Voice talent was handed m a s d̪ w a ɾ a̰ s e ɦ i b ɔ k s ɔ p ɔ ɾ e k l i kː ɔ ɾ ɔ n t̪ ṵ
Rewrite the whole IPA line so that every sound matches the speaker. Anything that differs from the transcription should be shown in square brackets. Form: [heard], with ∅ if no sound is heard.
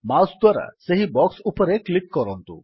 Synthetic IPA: m a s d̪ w a ɾ a̰ s e ɦ i b ɔ k s [u] p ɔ ɾ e k l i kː ɔ ɾ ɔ n t̪ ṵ